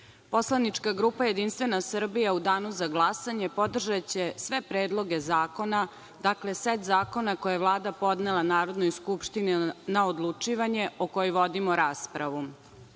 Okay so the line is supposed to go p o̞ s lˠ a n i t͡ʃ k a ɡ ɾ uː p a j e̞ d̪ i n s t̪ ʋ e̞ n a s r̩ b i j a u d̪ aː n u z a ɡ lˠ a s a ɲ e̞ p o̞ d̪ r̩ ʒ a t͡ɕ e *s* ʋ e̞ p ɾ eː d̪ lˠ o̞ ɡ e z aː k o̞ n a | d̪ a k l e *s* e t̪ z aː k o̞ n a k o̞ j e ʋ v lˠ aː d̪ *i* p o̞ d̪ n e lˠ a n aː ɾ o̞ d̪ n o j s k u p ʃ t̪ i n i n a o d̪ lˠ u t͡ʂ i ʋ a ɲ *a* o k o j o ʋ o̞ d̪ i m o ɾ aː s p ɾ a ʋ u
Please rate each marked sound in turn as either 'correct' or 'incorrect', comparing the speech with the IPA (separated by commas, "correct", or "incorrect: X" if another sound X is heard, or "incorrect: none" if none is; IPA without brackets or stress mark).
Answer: correct, correct, incorrect: a, incorrect: e